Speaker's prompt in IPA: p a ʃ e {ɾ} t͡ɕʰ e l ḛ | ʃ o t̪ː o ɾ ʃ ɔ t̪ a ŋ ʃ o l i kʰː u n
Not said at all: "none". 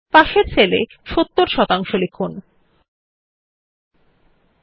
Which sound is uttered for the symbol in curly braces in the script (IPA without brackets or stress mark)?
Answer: ɾ